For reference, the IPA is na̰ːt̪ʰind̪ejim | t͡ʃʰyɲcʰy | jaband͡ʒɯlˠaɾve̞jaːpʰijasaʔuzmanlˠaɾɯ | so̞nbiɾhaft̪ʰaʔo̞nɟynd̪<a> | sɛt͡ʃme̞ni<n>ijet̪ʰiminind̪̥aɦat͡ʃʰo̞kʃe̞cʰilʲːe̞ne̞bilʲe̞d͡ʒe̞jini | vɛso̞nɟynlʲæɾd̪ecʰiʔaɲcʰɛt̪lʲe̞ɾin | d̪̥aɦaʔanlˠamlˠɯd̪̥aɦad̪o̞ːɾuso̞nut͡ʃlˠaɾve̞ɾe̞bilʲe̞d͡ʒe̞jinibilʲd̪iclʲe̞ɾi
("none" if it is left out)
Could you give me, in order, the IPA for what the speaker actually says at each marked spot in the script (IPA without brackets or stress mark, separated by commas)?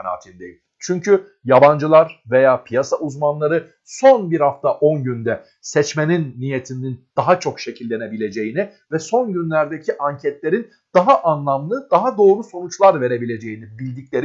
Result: ɛ, nː